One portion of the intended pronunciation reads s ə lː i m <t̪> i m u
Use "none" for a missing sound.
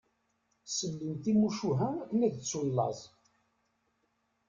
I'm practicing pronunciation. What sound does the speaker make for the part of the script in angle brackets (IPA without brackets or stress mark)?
t̪